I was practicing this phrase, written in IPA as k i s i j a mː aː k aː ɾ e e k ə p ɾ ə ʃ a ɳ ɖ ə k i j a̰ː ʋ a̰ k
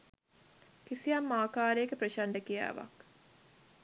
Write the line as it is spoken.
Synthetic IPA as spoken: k i s i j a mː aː k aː ɾ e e k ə p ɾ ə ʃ a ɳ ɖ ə k i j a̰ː ʋ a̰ k